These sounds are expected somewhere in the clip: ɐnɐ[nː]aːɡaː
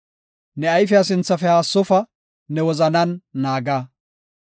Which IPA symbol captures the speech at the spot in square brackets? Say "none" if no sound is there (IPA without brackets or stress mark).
nː